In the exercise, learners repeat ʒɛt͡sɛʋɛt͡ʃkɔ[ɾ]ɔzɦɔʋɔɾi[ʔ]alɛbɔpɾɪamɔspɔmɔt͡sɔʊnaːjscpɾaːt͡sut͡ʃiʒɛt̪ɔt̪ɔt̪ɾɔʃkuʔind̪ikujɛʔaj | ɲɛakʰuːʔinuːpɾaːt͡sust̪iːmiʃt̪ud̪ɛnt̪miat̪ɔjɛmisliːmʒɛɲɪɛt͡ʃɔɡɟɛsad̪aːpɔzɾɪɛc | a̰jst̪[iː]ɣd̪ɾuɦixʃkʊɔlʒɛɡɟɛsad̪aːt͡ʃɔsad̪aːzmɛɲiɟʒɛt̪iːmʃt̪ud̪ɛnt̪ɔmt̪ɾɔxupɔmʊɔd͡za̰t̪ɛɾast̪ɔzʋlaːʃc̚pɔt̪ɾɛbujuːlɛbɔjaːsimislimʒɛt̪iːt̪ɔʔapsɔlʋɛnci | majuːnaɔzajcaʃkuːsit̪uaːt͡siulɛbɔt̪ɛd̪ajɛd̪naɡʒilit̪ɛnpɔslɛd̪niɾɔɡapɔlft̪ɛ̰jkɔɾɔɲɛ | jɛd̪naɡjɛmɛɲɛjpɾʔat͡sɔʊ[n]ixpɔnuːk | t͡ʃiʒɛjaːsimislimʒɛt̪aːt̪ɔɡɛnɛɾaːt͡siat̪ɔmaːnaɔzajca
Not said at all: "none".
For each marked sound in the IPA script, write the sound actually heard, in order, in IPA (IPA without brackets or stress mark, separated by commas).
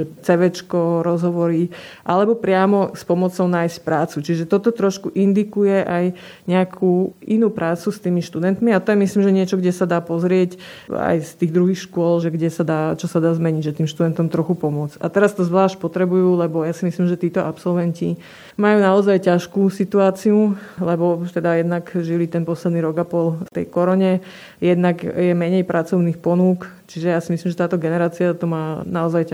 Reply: ɾ, ʔ, iː, n